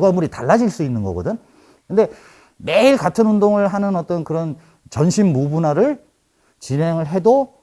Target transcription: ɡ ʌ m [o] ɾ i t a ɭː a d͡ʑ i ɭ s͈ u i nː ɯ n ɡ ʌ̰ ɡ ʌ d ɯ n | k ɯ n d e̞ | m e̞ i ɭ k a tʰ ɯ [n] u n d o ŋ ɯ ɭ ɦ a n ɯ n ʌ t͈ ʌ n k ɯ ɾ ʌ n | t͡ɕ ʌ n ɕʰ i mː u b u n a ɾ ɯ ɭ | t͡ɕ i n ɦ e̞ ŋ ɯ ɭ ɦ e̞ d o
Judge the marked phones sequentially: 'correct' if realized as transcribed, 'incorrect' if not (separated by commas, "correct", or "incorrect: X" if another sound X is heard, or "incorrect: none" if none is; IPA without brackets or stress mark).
incorrect: u, correct